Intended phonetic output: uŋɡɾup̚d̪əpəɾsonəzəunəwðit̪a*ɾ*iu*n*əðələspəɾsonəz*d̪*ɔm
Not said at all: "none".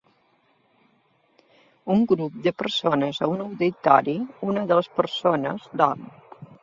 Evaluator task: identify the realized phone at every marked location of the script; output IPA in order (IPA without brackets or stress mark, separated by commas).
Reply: ɾ, n, d̪